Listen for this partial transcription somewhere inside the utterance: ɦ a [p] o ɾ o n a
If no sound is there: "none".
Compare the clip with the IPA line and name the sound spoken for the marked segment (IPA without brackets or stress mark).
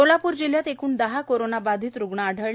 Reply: k